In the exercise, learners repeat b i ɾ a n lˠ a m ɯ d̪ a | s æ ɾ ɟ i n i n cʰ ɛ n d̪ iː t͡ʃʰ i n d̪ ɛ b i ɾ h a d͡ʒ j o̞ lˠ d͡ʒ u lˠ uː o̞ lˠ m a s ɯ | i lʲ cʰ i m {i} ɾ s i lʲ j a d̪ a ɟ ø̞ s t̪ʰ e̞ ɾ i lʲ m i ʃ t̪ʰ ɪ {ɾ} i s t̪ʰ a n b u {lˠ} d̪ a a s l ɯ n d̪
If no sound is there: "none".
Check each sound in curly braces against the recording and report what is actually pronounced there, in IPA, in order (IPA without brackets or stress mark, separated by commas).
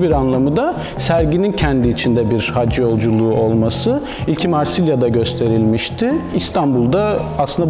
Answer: a, none, lˠ